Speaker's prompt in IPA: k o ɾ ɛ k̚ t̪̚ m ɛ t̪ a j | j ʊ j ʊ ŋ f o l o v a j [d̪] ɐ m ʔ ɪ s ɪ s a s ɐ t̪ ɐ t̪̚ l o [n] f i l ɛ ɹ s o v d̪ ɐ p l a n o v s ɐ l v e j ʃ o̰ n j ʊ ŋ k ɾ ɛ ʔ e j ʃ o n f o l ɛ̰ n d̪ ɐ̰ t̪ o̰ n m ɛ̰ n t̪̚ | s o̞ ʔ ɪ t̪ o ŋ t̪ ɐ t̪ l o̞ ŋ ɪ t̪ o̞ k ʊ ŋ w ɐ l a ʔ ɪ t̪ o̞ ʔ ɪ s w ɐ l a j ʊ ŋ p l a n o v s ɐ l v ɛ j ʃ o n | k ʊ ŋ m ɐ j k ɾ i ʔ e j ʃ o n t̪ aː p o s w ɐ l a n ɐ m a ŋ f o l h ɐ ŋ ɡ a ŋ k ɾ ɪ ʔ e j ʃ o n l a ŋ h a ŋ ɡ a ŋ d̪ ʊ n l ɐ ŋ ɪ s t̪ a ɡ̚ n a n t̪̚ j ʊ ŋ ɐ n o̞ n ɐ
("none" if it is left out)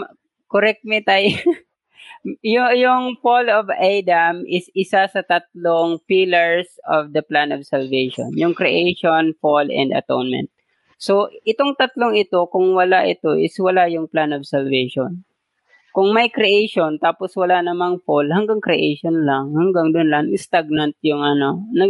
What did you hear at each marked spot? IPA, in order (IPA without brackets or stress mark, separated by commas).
d̪, ŋ